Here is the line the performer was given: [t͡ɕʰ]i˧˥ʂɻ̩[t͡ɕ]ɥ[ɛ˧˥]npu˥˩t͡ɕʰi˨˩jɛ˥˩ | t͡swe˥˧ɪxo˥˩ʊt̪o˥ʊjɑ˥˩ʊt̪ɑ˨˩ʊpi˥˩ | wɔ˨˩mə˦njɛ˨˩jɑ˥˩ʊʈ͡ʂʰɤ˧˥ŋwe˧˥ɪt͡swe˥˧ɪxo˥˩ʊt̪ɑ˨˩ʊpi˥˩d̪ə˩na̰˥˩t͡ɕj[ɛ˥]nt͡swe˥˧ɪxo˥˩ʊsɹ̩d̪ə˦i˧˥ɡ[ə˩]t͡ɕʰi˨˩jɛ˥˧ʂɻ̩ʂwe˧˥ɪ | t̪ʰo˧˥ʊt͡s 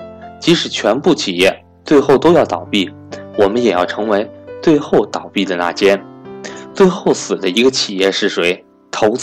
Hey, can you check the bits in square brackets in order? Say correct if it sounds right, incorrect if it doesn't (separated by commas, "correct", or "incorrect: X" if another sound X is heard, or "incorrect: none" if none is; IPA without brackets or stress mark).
incorrect: t͡ɕ, incorrect: t͡ɕʰ, correct, correct, incorrect: ə˧